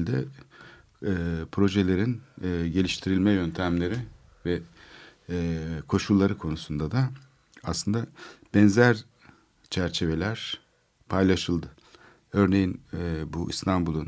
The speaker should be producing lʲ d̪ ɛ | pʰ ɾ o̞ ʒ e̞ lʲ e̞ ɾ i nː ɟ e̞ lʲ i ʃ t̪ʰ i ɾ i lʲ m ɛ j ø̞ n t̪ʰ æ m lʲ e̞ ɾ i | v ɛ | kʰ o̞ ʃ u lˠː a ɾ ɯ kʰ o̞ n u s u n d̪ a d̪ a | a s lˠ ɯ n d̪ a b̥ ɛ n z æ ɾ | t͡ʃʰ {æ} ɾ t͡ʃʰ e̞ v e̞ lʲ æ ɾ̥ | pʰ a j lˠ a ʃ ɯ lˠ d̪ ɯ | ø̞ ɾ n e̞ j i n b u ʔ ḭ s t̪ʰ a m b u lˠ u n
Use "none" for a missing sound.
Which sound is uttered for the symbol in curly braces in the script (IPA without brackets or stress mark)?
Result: æ